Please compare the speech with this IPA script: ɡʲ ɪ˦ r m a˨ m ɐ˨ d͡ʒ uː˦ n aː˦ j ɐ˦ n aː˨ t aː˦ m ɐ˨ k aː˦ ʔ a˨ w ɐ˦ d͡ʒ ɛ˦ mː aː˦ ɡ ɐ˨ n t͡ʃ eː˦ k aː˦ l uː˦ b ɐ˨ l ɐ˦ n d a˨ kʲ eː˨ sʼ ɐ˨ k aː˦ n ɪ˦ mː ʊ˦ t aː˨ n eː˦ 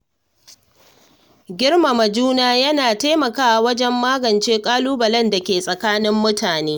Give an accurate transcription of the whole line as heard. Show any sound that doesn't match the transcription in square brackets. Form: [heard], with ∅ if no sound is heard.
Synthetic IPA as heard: ɡʲ ɪ˦ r m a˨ m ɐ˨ d͡ʒ uː˦ n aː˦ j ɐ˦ n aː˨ t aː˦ m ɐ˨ k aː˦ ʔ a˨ w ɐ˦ d͡ʒ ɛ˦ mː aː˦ ɡ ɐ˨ n t͡ʃ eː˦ [kʼ] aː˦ l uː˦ b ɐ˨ l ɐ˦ n d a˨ kʲ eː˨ sʼ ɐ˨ k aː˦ n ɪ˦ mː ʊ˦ t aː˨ n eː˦